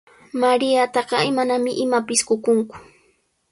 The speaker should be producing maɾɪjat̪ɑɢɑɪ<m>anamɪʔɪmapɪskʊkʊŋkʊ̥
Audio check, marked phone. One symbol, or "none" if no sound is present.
m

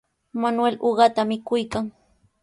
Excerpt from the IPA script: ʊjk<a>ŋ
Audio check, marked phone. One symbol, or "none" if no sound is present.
a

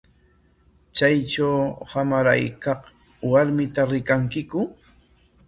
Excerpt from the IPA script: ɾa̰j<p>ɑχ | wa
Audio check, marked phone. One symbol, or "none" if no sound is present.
k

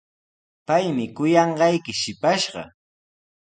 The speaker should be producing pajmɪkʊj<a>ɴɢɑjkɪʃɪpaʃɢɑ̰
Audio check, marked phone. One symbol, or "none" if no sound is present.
ɑ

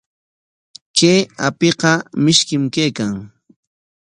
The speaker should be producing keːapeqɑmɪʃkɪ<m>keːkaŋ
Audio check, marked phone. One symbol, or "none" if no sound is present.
m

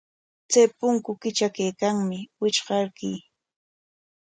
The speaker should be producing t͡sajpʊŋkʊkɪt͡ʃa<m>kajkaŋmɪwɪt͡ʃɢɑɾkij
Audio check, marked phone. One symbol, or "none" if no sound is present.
none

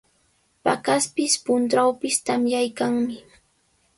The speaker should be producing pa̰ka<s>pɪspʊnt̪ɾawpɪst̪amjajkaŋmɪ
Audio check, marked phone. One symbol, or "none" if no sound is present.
s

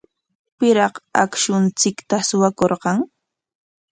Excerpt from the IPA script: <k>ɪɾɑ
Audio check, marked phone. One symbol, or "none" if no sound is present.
p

